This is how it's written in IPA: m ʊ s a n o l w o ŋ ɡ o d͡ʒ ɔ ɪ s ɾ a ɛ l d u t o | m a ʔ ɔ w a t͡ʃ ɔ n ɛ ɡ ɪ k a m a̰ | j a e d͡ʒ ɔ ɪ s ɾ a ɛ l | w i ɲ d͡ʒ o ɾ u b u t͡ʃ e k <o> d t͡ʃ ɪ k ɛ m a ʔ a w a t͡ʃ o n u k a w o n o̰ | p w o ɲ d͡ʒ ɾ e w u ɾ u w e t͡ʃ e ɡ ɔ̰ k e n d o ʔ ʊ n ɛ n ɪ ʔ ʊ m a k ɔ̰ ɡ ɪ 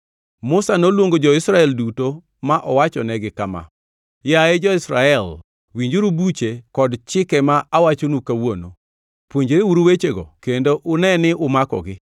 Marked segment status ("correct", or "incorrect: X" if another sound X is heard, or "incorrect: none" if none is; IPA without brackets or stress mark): incorrect: ɔ